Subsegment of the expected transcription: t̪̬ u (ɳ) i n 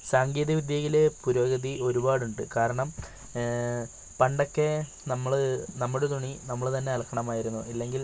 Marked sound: correct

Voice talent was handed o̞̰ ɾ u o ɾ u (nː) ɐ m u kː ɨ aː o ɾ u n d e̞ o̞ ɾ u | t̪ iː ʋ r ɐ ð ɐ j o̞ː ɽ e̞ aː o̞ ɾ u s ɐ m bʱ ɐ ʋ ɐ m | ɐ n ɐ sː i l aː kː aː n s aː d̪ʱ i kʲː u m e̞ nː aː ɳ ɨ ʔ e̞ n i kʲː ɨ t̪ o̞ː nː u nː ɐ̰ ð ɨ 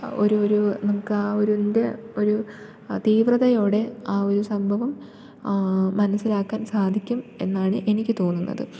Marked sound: incorrect: n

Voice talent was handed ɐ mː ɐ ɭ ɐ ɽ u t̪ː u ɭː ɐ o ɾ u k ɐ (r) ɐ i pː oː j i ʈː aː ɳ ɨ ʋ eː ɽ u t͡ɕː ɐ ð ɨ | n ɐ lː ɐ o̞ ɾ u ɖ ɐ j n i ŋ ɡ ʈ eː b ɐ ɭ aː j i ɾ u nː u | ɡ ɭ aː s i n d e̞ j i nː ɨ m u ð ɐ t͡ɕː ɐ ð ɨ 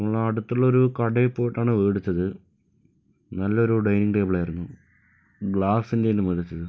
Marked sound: incorrect: ɽ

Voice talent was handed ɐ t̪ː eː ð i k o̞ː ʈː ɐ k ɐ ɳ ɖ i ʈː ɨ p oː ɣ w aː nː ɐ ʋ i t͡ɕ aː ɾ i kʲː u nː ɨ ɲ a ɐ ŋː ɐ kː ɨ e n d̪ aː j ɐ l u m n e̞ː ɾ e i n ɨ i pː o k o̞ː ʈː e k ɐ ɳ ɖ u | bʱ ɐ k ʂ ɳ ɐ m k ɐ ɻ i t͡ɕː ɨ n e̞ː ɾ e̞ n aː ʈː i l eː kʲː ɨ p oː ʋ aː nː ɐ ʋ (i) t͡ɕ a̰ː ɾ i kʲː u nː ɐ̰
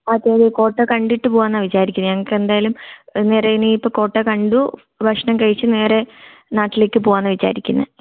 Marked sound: correct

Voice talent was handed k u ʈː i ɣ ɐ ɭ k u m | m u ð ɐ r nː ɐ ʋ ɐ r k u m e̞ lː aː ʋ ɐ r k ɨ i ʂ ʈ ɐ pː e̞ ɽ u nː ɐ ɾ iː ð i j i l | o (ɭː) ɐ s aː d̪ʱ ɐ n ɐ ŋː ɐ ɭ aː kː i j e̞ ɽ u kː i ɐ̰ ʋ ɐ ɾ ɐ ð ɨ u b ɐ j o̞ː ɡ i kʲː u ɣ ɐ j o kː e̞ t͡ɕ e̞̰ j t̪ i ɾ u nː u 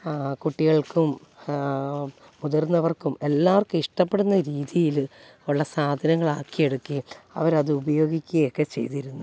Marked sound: correct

